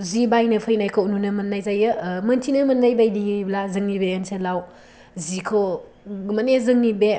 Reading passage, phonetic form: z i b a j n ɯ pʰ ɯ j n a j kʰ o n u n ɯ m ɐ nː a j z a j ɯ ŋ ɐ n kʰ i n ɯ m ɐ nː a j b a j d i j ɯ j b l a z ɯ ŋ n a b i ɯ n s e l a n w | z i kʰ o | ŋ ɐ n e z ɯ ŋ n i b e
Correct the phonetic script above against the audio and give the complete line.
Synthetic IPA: z i b a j n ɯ pʰ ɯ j n a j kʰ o n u n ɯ m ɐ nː a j z a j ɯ m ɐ n tʰ i n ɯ m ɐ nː a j b a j d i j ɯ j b l a z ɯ ŋ n i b e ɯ n s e l a w | z i kʰ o | m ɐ n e z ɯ ŋ n i b e